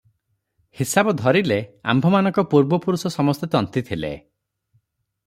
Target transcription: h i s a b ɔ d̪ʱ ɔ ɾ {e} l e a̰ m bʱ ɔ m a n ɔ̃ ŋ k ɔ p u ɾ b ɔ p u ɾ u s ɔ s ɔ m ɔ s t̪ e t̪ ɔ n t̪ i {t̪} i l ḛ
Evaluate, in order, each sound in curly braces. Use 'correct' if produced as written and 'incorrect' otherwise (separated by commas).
incorrect, incorrect